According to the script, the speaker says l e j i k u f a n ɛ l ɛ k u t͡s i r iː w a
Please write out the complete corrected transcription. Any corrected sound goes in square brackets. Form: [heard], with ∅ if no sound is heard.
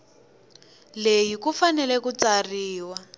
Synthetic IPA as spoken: l e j i k u f a n ɛ l ɛ k u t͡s [a] r iː w a

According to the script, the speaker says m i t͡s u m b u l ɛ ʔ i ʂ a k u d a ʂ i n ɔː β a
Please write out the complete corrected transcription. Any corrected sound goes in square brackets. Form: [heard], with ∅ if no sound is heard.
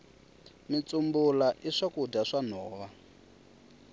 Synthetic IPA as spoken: m i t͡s u m b u l [a] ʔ i ʂ a k u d a ʂ [a] n ɔː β a

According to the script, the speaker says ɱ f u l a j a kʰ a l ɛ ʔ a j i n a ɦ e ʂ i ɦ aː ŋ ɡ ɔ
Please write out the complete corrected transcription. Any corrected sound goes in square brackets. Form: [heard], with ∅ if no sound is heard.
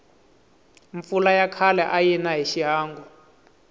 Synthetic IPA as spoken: ɱ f u l a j a kʰ a l ɛ ʔ a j i n a ɦ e [ʃ] i ɦ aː ŋ ɡ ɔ

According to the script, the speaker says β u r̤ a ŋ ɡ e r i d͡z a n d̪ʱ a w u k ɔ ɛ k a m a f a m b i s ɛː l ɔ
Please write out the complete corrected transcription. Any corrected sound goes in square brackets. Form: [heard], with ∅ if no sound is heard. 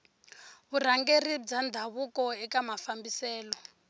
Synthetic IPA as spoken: β u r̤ a ŋ ɡ e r i d͡z a n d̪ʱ a [β] u k ɔ ɛ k a m a f a m b i s ɛː l ɔ

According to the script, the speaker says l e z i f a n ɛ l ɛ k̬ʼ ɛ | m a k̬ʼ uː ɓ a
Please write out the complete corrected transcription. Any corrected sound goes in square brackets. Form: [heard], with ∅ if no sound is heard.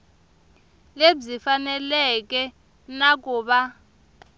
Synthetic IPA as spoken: l e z i f a n ɛ l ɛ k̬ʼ ɛ | [n] a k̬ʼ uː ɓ a

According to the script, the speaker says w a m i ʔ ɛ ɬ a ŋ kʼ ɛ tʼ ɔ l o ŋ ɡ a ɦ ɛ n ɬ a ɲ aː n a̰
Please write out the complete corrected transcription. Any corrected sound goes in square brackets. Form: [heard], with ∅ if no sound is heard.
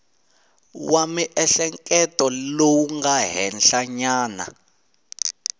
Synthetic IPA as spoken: w a m i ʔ ɛ ɬ [ɛ] ŋ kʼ ɛ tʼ ɔ l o ŋ ɡ a ɦ ɛ n ɬ a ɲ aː n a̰

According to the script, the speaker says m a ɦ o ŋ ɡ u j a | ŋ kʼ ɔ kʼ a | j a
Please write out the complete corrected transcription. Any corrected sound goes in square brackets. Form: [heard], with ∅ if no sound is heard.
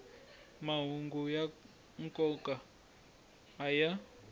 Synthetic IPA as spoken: m a ɦ [u] ŋ ɡ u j a | ŋ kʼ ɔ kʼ a | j a

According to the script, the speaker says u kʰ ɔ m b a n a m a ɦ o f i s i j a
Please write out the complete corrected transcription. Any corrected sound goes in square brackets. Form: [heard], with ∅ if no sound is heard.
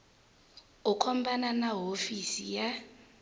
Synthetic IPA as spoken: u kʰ ɔ m b a n a [n] a ɦ o f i s i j a

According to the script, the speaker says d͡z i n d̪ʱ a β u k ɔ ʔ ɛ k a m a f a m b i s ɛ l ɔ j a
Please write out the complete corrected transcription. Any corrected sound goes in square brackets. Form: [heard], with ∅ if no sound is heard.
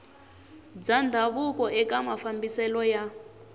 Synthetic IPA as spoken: d͡z [a] n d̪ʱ a β u k ɔ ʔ ɛ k a m a f a m b i s ɛ l ɔ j a

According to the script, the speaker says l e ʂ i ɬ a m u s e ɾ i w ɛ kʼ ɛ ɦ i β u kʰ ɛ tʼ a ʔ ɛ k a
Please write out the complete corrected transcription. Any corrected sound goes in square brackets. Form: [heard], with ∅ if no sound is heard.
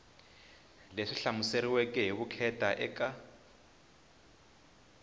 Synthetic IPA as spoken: l e ʂ i ɬ a m u s e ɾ i w ɛ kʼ ɛ ɦ i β u kʰ ɛ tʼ a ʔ ɛ k a

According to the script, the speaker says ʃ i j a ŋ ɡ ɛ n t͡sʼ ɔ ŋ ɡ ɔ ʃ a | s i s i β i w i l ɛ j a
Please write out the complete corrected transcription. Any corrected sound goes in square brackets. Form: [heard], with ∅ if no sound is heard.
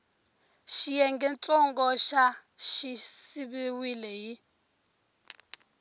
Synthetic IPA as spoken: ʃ i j [ɛ] ŋ ɡ ɛ n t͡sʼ ɔ ŋ ɡ ɔ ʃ a | [ʃ] i s i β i w i l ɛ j [i]

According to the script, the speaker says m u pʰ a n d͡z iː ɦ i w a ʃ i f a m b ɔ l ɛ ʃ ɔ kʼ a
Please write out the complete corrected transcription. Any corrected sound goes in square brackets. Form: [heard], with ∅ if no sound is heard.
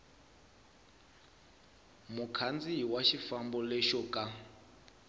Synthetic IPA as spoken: m u [kʰ] a n d͡z [i] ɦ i w a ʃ i f a m b ɔ l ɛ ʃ ɔ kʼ a

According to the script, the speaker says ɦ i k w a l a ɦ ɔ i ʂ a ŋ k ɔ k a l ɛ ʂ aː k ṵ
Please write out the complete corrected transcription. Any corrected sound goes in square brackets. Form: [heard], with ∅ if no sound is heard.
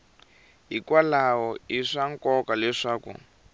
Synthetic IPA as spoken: ɦ i k w a l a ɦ ɔ i ʂ a ŋ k ɔ k a l ɛ ʂ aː k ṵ

